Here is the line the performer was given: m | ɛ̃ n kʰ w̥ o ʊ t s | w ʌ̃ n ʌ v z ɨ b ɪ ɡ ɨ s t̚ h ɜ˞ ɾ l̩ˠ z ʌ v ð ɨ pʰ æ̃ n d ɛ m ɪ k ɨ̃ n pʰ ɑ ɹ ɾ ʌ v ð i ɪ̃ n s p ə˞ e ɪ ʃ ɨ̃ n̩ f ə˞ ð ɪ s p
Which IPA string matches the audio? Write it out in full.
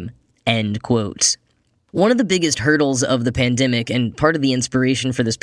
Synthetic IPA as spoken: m | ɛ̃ n kʰ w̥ o ʊ t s | w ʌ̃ n ʌ v ð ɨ b ɪ ɡ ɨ s t̚ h ɜ˞ ɾ l̩ˠ z ʌ v ð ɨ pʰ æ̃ n d ɛ m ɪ k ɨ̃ n pʰ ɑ ɹ ɾ ʌ v ð i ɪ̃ n s p ə˞ e ɪ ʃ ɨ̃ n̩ f ə˞ ð ɪ s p